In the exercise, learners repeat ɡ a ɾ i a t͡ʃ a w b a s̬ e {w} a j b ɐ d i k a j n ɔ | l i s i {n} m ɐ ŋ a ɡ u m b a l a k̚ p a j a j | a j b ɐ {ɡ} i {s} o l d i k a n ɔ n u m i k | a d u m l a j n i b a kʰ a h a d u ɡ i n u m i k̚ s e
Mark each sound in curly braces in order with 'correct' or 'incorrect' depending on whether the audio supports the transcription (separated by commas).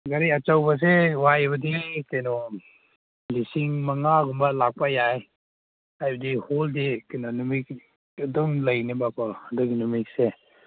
correct, incorrect, incorrect, incorrect